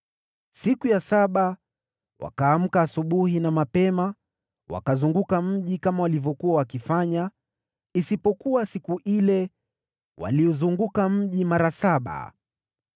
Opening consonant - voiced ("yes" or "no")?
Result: no